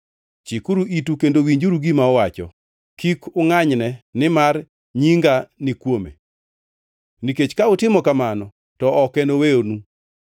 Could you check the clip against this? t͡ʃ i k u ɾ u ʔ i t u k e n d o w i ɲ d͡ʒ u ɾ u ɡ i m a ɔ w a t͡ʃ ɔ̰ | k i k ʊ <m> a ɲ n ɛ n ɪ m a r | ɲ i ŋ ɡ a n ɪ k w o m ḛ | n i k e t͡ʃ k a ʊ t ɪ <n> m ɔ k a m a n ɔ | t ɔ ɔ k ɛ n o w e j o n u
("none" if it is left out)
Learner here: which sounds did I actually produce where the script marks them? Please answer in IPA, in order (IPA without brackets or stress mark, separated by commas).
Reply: ŋ, none